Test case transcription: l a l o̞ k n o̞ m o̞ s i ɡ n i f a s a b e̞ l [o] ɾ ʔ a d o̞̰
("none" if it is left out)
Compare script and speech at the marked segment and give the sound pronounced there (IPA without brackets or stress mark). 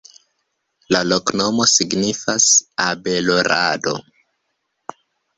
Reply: o